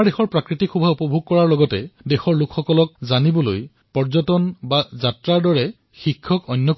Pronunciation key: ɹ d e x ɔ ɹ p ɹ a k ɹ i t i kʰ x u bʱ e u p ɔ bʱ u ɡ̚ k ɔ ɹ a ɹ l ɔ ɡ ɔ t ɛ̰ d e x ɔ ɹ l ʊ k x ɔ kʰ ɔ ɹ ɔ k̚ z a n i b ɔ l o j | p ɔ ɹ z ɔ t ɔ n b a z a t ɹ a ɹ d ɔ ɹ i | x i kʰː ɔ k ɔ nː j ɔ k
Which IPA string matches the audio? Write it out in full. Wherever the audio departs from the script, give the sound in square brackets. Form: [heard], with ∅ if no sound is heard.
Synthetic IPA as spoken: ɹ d e x ɔ ɹ p ɹ a k ɹ i t i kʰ x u bʱ [a] u p ɔ bʱ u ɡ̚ k ɔ ɹ a ɹ l ɔ ɡ ɔ t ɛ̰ d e x ɔ ɹ l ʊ k x ɔ [k] ɔ [l] ɔ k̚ z a n i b ɔ l o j | p ɔ ɹ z ɔ t ɔ n b a z a t ɹ a ɹ d ɔ ɹ [ɛ] | x i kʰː ɔ k ɔ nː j ɔ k